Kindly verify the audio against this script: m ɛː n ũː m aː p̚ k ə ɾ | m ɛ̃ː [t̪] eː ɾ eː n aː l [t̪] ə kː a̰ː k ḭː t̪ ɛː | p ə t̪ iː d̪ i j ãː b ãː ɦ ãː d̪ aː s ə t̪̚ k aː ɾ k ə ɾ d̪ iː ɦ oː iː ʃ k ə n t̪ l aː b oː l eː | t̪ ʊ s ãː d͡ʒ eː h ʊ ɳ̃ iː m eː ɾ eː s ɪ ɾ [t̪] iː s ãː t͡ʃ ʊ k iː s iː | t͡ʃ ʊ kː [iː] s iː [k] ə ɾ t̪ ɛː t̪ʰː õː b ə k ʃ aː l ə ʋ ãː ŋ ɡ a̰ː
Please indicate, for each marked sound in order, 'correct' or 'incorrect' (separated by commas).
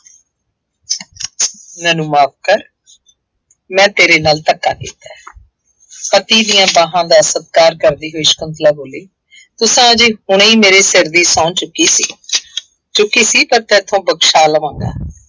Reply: correct, correct, incorrect, correct, incorrect